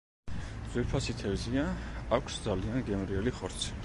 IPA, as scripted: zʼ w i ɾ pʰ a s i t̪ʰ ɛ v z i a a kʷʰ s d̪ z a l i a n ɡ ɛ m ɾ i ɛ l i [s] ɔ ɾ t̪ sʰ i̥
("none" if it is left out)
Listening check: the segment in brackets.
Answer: χ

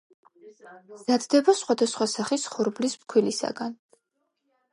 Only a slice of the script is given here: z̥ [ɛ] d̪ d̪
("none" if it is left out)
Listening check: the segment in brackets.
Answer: a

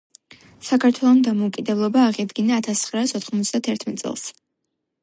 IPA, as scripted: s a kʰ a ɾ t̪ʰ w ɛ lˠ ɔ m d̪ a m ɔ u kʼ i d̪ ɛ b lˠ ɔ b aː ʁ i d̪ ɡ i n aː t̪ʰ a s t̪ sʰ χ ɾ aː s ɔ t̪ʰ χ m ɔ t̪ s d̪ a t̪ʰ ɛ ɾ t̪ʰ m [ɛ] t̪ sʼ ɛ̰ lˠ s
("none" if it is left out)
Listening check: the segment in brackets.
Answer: ɛ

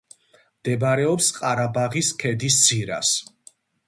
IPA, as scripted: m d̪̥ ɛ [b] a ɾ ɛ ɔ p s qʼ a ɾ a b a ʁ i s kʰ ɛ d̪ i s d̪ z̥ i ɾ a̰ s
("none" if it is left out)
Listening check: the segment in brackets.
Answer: b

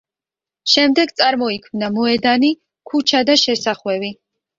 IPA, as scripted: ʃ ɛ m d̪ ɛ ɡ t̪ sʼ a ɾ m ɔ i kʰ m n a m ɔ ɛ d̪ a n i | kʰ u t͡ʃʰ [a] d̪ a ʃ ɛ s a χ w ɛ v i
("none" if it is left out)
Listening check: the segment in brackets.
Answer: a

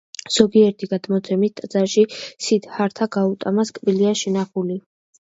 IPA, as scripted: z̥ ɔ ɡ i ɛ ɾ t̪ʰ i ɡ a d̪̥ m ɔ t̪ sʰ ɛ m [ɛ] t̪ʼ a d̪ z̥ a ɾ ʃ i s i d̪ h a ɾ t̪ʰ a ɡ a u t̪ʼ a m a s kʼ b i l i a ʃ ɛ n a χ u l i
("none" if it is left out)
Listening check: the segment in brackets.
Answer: i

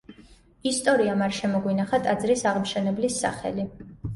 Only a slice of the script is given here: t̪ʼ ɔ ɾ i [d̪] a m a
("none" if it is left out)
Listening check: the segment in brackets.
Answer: none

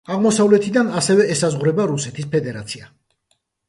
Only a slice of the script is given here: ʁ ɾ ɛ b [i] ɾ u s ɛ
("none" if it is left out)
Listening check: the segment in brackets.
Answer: a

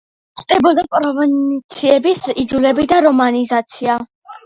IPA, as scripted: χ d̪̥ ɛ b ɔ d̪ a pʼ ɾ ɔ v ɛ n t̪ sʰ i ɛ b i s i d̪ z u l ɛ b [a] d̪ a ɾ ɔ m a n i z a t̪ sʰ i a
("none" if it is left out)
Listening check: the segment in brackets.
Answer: i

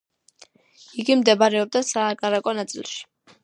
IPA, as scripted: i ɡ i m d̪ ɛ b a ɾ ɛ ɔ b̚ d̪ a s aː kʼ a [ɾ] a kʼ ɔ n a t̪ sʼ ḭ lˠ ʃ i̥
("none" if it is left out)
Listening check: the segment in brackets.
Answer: ɾ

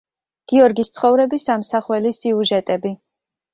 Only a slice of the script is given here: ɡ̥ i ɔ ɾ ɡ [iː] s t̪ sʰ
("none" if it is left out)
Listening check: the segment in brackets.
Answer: i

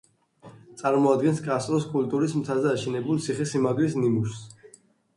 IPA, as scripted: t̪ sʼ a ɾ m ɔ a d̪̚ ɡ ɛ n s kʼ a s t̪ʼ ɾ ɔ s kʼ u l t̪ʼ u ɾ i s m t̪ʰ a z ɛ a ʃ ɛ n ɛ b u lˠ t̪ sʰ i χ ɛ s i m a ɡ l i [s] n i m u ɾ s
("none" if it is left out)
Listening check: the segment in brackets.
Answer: s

